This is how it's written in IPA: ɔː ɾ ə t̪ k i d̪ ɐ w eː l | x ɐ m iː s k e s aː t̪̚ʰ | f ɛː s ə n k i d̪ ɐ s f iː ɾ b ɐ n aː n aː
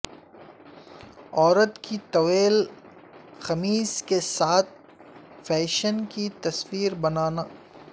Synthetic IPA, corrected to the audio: ɔː ɾ ə t̪ k i t̪ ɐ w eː l | x ɐ m iː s k e s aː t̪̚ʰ | f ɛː ʃ ə n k i t̪ ɐ s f iː ɾ b ɐ n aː n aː